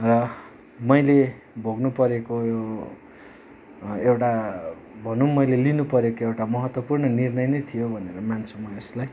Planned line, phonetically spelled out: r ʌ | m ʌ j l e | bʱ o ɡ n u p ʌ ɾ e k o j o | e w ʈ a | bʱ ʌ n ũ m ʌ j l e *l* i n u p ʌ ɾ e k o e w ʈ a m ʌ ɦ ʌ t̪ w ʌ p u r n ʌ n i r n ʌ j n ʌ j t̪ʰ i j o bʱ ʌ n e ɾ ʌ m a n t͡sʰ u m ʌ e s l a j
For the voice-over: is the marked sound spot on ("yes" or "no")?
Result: yes